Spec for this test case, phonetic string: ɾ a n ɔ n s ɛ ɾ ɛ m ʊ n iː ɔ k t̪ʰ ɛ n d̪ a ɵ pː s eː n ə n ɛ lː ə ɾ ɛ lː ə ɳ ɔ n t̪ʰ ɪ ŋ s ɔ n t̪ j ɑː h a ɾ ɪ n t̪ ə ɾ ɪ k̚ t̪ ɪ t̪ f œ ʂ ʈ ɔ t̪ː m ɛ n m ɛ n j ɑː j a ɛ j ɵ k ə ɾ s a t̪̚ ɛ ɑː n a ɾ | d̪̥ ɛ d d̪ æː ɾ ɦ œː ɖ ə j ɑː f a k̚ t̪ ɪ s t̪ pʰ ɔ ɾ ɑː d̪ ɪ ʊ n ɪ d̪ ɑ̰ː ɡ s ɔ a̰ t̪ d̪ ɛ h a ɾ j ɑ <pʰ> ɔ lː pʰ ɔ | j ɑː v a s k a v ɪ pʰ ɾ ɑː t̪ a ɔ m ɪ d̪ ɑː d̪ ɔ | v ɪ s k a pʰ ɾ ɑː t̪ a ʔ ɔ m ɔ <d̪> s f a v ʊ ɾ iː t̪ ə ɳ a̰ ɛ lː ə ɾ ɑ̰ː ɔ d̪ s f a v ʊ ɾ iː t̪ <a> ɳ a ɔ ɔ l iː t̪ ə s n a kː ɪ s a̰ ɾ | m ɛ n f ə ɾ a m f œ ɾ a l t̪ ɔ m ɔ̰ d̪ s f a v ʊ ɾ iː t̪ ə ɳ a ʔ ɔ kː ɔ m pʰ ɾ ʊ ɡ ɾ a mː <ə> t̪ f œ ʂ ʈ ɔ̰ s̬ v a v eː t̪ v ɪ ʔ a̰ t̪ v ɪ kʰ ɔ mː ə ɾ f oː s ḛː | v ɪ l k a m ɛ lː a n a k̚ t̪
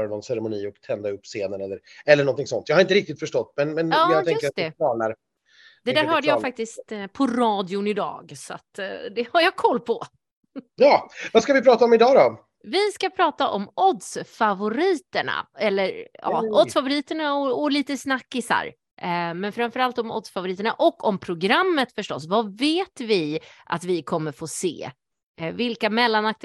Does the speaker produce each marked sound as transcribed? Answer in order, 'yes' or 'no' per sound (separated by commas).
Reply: no, yes, no, yes